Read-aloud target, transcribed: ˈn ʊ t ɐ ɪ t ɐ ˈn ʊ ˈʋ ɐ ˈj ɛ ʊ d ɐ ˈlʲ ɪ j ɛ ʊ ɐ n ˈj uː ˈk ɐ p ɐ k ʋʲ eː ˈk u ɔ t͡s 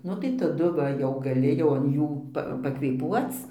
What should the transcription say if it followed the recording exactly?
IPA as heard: ˈn ʊ t ɐ ɪ t ɐ ˈd ʊ ˈʋ ɐ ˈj ɛ ʊ ɡ ɐ ˈlʲ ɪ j ɛ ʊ ɐ n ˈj uː ˈp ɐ p ɐ k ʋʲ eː ˈp u ɔ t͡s